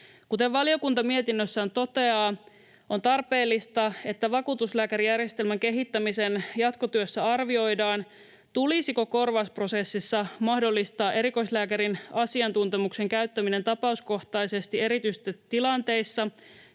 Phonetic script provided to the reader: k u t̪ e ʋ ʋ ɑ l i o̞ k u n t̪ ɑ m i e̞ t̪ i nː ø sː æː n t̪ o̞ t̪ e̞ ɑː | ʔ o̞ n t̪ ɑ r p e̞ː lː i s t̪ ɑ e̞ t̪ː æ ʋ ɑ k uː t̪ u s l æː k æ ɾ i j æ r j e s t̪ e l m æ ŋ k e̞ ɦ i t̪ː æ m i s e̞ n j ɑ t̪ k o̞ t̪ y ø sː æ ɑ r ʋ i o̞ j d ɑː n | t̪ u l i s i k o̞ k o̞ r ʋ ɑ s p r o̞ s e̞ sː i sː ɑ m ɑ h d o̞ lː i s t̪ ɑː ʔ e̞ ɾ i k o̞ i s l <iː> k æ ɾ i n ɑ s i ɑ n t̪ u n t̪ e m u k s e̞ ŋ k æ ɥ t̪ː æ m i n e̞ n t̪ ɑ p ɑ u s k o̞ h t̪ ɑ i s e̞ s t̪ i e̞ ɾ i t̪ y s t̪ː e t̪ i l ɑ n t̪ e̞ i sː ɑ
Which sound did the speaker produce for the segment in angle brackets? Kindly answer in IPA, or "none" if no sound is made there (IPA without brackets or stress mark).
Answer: æː